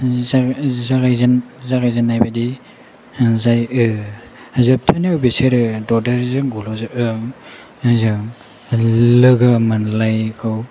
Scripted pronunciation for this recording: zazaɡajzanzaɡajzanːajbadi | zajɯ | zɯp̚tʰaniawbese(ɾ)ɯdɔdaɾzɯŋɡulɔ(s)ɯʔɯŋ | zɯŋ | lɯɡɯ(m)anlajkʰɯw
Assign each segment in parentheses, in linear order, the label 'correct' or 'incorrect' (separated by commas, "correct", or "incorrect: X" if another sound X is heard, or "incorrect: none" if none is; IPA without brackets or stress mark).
correct, incorrect: z, correct